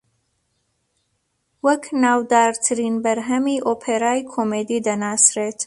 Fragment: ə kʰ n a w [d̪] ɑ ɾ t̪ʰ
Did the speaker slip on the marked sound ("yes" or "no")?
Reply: no